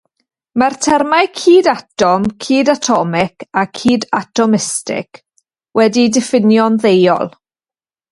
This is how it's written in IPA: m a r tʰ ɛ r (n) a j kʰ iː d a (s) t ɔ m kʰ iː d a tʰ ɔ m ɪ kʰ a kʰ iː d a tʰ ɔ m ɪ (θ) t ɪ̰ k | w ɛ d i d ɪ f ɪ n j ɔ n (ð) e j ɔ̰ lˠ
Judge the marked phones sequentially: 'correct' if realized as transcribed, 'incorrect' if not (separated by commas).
incorrect, incorrect, incorrect, correct